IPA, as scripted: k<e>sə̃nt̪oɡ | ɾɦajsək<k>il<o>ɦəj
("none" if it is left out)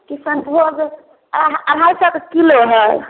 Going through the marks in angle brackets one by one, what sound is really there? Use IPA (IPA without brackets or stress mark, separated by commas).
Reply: i, k, o